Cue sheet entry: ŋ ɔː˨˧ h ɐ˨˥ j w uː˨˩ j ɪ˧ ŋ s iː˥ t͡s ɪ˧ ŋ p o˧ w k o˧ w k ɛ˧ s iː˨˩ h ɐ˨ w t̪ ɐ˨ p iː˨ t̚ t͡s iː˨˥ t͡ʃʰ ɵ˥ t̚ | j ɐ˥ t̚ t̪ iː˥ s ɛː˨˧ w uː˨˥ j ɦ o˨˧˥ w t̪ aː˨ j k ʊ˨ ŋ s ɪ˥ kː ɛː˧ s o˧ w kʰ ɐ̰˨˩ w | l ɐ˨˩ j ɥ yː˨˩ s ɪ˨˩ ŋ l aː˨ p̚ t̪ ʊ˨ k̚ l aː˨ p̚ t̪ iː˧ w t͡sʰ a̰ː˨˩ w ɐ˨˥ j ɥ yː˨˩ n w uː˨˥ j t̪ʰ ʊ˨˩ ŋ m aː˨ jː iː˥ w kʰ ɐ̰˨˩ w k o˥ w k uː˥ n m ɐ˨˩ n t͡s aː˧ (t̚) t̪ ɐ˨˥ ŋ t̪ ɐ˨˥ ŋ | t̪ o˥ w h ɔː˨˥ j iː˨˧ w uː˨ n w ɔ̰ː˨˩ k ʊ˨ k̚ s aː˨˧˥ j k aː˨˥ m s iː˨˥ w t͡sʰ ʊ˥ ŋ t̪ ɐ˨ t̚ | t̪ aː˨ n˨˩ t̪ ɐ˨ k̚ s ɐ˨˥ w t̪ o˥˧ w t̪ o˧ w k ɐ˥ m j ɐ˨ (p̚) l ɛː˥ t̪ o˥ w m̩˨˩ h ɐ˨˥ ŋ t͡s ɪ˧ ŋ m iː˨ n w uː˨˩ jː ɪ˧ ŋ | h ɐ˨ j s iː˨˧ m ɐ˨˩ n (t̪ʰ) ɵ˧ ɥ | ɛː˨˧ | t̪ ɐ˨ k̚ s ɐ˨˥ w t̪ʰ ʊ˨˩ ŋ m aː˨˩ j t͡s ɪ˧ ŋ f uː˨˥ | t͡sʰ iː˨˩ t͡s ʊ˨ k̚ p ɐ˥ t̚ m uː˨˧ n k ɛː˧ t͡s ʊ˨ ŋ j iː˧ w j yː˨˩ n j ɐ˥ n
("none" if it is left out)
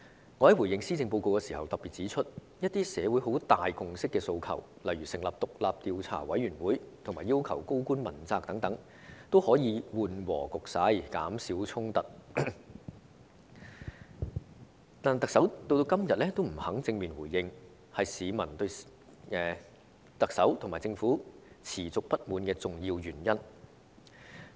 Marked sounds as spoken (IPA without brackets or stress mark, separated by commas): k̚, t̚, t̪